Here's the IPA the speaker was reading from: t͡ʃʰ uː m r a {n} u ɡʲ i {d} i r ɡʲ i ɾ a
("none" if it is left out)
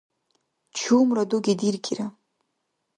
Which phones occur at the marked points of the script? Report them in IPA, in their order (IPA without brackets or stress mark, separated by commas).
d, d